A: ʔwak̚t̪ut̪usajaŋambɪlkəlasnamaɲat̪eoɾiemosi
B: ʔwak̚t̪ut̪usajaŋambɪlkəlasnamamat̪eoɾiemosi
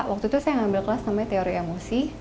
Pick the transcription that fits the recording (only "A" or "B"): A